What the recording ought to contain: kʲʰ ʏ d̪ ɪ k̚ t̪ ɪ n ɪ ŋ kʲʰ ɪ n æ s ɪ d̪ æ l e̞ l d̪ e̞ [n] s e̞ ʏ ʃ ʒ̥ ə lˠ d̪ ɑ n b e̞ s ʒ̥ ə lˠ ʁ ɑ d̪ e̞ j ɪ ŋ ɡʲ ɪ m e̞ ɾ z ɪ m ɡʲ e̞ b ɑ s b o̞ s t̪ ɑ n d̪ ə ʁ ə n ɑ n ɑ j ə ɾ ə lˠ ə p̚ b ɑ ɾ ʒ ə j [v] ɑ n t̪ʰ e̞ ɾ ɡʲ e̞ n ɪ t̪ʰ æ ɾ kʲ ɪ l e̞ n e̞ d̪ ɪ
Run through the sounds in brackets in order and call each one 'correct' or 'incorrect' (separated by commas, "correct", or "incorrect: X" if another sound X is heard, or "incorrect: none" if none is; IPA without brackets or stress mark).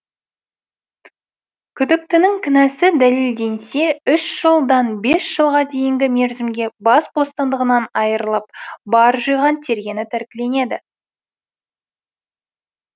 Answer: correct, incorrect: ʁ